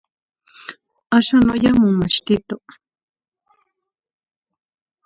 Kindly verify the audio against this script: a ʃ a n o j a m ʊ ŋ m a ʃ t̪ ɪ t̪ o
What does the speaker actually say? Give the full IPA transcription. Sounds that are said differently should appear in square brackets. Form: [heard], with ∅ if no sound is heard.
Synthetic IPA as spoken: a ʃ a n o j a m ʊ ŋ m a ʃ t̪ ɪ t̪ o